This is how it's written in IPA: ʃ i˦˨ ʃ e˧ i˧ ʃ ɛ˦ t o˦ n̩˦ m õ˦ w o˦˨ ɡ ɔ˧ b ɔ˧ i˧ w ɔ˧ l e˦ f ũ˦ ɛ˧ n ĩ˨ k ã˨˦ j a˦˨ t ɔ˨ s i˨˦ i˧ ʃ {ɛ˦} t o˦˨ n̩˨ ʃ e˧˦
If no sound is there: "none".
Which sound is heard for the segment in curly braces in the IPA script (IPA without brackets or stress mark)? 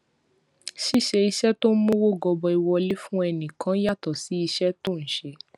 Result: ɛ˦